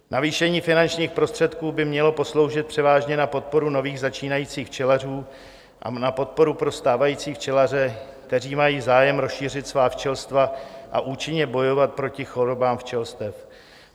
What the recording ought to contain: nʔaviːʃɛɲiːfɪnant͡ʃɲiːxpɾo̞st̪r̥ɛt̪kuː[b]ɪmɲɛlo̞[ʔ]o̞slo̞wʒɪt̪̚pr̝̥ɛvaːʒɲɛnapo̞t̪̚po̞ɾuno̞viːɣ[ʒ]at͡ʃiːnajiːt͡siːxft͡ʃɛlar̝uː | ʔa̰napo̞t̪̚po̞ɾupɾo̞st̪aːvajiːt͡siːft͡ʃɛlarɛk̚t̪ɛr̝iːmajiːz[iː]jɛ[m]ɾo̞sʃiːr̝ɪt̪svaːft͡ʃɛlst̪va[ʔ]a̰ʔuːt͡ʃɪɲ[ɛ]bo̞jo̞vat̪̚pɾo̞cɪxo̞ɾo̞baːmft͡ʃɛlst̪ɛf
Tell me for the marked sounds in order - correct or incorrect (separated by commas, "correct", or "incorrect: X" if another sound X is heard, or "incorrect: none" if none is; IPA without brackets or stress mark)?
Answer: correct, incorrect: p, incorrect: z, incorrect: aː, correct, correct, correct